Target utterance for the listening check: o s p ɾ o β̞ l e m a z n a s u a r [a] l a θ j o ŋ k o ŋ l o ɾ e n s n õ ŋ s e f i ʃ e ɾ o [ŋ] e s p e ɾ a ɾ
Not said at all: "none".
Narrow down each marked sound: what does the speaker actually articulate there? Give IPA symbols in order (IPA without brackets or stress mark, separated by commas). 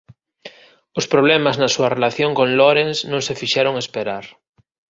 e, ŋ